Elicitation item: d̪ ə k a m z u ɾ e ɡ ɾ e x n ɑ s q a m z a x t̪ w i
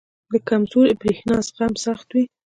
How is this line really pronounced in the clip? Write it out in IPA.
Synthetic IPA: d̪ ə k a m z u ɾ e b ɾ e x n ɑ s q a m s a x t̪ w i

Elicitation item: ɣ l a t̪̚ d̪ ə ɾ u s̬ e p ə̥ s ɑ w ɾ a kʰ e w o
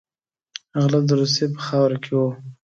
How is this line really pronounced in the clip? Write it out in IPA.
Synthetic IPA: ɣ l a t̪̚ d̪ ə ɾ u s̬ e p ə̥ x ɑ w ɾ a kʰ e w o

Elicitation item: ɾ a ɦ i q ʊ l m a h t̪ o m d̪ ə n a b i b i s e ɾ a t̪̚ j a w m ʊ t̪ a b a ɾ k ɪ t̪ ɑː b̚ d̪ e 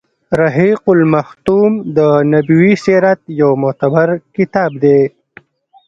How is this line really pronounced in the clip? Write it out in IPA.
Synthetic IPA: ɾ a ɦ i q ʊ l m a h t̪ u m d̪ ə n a b i w i s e ɾ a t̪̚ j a w m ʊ t̪ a b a ɾ k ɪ t̪ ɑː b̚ d̪ e

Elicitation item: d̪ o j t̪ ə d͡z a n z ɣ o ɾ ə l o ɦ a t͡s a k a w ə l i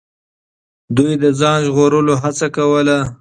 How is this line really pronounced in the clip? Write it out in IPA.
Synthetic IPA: d̪ u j d̪ ə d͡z ɑ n ʒ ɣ o ɾ ə l o ɦ a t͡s a k a w ə l a

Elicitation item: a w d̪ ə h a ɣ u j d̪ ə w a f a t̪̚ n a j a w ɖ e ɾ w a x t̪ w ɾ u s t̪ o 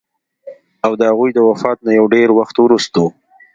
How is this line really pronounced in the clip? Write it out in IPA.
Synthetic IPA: a w d̪ ə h a ɣ u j d̪ ə w a f ɑ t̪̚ n a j a w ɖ e ɾ w a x t̪ w ɾ u s t̪ o

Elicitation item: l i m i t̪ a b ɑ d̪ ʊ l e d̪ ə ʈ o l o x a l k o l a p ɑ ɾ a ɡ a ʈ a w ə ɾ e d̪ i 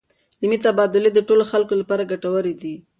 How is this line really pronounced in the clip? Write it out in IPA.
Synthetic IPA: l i m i t̪ a b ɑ d̪ ʊ l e d̪ ə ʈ o l o x a l k o l a p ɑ ɾ a ɡ a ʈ a w ə ɾ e d̪ i

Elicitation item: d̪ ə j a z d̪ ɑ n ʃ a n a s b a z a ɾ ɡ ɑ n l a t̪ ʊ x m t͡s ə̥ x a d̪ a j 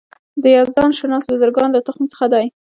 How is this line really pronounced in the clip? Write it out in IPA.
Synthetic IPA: d̪ ə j ɑ z d̪ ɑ n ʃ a n ɑ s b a z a ɾ ɡ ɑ n l a t̪ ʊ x m t͡s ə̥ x a d̪ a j

